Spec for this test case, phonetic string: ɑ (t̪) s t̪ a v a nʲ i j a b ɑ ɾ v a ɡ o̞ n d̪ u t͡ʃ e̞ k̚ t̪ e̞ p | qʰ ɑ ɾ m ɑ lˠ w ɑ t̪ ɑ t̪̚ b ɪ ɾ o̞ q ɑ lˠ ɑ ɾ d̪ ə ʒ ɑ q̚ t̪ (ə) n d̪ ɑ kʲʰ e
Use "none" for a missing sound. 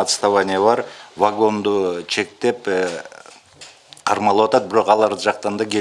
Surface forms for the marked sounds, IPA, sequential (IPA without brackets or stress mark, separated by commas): t̪, ɑ